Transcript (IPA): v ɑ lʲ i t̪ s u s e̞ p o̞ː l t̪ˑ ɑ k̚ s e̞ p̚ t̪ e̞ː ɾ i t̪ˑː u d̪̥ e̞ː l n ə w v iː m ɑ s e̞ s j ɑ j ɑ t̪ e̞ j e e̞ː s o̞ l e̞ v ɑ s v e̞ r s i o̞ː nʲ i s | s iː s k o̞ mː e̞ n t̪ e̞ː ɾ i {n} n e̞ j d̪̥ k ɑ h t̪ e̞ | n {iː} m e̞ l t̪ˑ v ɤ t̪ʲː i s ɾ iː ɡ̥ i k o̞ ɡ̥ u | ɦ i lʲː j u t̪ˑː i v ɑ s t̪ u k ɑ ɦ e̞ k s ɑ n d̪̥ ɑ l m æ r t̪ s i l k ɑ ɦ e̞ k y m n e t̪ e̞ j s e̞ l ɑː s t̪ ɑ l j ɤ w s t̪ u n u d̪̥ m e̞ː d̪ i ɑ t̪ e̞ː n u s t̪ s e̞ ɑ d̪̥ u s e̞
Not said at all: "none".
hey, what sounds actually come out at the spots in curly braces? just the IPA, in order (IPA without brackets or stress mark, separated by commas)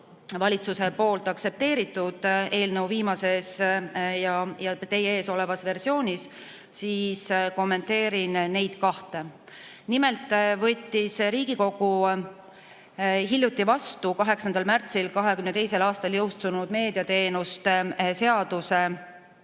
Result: n, i